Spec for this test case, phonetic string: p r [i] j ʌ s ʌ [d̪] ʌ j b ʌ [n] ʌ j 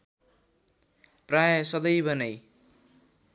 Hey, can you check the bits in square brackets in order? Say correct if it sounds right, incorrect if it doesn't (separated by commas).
incorrect, correct, correct